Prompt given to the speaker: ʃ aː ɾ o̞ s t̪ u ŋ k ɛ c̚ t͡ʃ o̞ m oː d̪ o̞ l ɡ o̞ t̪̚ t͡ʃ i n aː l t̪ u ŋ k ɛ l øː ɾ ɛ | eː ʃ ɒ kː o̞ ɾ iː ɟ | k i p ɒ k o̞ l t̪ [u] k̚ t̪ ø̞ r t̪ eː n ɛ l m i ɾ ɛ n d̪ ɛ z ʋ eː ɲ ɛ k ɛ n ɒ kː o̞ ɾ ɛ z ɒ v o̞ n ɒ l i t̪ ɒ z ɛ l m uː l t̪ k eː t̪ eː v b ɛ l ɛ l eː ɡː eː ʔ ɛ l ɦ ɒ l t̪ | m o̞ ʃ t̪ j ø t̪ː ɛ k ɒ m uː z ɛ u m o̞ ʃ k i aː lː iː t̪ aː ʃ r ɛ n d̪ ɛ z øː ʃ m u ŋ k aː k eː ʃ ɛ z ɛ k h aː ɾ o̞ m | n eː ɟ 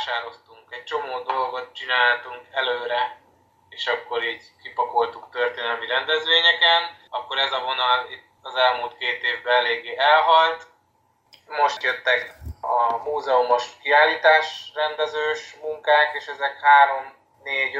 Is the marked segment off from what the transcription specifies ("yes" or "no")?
no